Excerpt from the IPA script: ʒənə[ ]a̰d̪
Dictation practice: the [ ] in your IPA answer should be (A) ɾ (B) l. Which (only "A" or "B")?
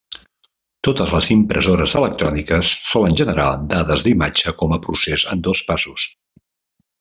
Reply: A